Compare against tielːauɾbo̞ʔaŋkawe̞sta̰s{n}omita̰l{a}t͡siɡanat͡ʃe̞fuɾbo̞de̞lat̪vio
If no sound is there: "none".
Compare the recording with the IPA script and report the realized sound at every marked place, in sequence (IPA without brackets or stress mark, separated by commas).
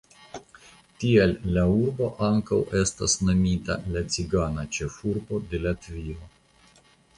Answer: n, a